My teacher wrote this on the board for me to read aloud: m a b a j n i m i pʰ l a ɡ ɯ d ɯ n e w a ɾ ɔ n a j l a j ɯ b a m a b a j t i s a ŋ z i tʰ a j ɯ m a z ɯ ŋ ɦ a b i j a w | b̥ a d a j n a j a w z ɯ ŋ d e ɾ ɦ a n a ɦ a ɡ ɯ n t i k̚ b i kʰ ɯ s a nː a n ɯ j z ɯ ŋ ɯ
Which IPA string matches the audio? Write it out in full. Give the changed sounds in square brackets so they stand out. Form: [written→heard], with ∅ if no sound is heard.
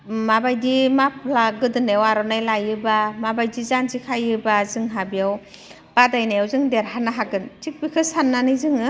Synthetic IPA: m a b a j [n→d] i m [i→a] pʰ l a ɡ ɯ d ɯ n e w a ɾ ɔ n a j l a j ɯ b a m a b a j [t→d] i [s→z] a [ŋ→n] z i [tʰ→kʰ] a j ɯ [m→b] a z ɯ ŋ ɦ a b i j a w | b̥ a d a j n a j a w z ɯ ŋ d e ɾ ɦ a n a ɦ a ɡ ɯ n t i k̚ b i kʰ ɯ s a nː a n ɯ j z ɯ ŋ ɯ